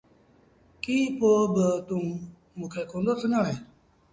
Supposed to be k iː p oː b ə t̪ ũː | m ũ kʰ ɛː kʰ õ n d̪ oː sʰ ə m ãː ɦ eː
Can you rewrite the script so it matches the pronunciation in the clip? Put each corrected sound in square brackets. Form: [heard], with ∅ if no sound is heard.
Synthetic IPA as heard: k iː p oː b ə t̪ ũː | m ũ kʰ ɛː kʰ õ n d̪ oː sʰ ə [n] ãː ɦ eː